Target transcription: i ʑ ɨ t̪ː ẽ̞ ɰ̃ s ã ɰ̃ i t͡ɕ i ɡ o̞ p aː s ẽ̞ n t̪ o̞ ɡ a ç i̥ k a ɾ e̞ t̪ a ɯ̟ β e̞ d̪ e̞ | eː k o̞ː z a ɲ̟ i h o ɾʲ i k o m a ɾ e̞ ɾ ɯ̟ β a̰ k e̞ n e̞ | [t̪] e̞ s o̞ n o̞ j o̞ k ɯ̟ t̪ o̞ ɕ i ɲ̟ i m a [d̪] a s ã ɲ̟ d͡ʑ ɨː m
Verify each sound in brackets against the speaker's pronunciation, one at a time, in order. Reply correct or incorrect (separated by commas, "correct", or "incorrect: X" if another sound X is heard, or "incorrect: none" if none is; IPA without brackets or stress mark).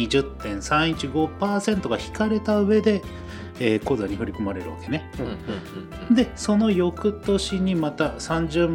incorrect: d̪, incorrect: t̪